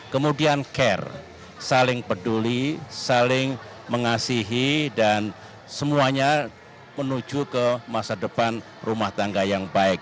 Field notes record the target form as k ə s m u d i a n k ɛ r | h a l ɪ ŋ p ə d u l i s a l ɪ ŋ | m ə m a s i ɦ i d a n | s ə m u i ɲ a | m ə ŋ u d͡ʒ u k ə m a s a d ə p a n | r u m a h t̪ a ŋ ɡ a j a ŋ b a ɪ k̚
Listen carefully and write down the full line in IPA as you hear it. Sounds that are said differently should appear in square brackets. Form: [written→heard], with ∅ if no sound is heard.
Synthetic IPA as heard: k ə [s→∅] m u d i a n k ɛ r | [h→s] a l ɪ ŋ p ə d u l i s a l ɪ ŋ | m ə [m→ŋ] a s i ɦ i d a n | s ə m u [i→a] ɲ a | m ə [ŋ→n] u d͡ʒ u k ə m a s a d ə p a n | r u m a h t̪ a ŋ ɡ a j a ŋ b a ɪ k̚

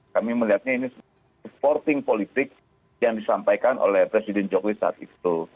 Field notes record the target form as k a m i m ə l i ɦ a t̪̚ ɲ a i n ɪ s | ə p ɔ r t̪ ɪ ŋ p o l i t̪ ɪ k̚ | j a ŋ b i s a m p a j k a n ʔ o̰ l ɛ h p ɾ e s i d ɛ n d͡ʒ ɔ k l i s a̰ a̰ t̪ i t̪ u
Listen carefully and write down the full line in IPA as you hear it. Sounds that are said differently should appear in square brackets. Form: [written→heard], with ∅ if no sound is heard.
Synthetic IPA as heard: k a m i m ə l i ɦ a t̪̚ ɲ a i n [ɪ→i] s | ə p ɔ r t̪ ɪ ŋ p o l i t̪ ɪ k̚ | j a ŋ [b→d] i s a m p a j k a n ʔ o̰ l ɛ h p ɾ e s i d ɛ n d͡ʒ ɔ k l i s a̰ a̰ t̪ i t̪ u

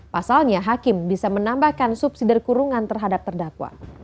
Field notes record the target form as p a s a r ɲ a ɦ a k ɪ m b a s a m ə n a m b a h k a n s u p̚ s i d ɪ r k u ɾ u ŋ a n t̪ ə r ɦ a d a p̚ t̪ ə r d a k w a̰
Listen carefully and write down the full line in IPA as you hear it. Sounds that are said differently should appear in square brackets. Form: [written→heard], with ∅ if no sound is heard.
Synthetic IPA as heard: p a s a [r→l] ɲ a ɦ a k ɪ m b [a→i] s a m ə n a m b a h k a n s u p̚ s i d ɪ r k u ɾ u ŋ a n t̪ ə r ɦ a d a p̚ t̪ ə r d a k w a̰

